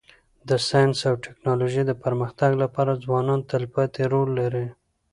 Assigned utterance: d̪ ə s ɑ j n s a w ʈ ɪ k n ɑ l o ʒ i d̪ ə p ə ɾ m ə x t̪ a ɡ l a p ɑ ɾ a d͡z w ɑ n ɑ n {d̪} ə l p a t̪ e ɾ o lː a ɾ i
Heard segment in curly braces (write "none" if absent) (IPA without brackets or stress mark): t̪